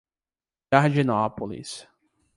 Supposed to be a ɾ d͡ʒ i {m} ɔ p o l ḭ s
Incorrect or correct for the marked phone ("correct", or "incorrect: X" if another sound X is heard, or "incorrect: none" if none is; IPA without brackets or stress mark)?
incorrect: n